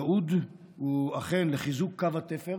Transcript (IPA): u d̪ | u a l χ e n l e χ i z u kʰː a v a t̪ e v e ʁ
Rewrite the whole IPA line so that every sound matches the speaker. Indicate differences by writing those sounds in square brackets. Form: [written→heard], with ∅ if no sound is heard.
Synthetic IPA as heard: u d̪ | u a [l→∅] χ e n l e χ i z u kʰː a v a t̪ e [v→f] e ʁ